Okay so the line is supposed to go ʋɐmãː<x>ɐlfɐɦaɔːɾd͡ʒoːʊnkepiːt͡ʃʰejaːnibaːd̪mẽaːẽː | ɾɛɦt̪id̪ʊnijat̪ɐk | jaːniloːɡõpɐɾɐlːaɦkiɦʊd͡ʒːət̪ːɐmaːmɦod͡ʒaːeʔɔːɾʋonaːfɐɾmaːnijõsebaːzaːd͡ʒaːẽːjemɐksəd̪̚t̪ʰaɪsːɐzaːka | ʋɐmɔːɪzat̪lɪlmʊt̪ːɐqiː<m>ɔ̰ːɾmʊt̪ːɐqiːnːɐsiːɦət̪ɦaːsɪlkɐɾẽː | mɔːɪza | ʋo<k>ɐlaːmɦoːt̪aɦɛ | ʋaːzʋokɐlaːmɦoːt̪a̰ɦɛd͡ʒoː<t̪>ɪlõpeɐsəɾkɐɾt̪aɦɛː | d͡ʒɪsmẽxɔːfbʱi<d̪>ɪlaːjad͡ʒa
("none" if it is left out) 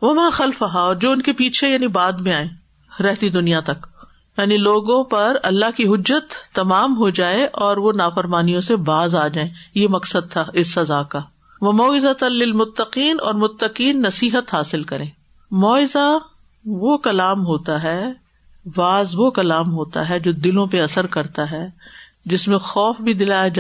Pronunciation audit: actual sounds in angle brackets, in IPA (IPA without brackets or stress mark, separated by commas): x, n, k, d̪, d̪